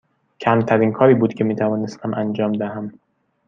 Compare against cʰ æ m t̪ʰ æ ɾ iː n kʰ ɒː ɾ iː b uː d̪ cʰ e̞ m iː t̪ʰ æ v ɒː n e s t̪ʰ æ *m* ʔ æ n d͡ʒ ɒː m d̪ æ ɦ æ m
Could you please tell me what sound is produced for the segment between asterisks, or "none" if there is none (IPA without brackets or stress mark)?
m